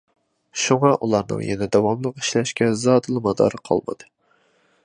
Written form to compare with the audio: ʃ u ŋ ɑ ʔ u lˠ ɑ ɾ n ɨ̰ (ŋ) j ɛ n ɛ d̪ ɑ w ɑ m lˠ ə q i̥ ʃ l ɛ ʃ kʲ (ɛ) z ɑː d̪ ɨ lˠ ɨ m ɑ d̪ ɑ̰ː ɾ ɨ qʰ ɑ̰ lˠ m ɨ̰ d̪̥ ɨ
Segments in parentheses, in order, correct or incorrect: correct, correct

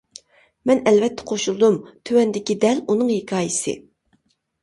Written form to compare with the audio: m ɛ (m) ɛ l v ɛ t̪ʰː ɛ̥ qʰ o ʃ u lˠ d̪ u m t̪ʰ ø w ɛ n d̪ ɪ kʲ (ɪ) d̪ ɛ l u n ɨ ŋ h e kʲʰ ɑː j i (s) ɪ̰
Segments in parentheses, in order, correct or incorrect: incorrect: n, incorrect: i, correct

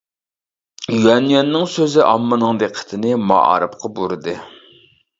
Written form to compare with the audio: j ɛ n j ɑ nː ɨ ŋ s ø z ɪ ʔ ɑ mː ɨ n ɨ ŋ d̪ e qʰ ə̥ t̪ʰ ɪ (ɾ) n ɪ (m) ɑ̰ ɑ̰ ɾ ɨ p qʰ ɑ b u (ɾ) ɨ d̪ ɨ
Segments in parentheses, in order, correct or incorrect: incorrect: none, correct, correct

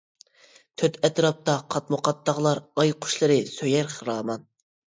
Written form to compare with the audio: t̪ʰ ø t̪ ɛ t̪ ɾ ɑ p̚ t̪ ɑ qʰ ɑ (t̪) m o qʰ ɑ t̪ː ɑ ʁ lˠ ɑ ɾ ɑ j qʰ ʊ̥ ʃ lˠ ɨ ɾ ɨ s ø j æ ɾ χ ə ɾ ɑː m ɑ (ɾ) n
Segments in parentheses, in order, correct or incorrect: correct, incorrect: none

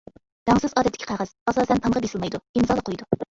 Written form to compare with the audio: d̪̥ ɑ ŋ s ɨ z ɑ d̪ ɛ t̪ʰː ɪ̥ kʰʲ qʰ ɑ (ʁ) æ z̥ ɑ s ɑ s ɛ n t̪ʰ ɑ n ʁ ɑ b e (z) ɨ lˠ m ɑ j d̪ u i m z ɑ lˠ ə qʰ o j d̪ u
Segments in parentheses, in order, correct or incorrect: correct, incorrect: s

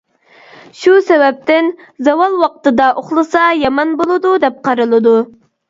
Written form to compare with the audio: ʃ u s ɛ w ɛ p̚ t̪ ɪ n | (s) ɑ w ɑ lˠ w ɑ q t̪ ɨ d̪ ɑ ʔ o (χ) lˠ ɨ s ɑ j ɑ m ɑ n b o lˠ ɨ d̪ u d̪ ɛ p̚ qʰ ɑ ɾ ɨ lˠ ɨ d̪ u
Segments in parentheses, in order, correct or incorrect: incorrect: z, correct

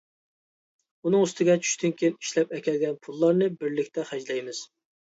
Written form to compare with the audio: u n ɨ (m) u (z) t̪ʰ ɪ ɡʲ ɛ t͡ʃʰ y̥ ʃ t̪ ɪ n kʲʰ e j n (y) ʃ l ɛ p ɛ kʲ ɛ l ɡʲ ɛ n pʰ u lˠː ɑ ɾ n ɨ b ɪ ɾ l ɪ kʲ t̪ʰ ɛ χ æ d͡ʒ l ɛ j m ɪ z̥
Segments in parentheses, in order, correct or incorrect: incorrect: ŋ, incorrect: s, incorrect: i

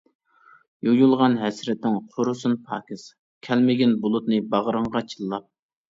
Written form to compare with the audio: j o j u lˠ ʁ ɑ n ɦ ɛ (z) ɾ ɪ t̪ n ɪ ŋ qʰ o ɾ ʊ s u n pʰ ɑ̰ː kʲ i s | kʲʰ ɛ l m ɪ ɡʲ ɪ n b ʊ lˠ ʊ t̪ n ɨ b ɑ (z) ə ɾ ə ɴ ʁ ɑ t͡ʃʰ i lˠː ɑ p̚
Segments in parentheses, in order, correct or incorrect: incorrect: s, incorrect: ʁ

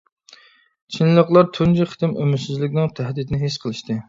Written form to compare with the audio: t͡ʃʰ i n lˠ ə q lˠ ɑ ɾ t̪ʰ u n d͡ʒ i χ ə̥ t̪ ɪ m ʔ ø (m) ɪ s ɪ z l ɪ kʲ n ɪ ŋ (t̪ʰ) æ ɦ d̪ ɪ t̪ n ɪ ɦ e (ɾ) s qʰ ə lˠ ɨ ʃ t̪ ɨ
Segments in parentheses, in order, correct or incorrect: correct, correct, incorrect: none

